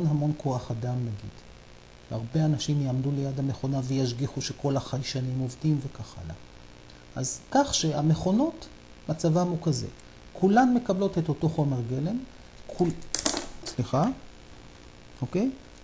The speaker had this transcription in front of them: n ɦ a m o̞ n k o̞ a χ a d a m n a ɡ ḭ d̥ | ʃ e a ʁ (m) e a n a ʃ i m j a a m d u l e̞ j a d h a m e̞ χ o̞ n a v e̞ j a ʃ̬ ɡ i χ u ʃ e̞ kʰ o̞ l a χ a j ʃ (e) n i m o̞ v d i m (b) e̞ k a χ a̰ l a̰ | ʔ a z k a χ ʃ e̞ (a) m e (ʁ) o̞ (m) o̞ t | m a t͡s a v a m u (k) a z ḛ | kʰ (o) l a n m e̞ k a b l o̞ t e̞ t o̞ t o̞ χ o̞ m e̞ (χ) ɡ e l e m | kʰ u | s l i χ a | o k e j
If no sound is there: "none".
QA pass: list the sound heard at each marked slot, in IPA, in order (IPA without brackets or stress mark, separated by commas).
b, a, v, a, χ, n, k, u, ʁ